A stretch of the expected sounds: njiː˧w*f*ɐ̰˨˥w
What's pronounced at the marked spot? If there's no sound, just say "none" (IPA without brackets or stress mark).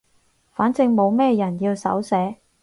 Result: s